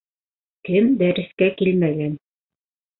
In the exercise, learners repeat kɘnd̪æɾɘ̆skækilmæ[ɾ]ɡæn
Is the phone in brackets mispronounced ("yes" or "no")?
yes